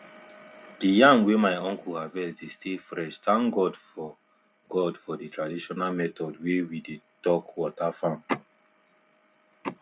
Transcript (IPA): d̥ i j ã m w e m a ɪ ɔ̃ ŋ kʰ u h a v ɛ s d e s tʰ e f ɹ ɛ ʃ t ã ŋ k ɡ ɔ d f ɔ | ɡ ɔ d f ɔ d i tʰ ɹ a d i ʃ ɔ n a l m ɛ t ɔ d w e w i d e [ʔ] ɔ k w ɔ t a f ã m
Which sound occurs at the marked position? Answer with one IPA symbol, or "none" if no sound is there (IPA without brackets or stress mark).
t